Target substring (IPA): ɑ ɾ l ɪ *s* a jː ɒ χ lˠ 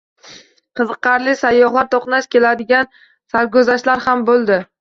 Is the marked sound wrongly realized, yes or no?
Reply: no